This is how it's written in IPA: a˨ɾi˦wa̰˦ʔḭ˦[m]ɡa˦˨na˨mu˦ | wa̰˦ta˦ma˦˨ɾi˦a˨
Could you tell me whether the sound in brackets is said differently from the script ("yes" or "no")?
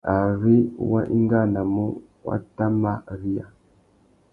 yes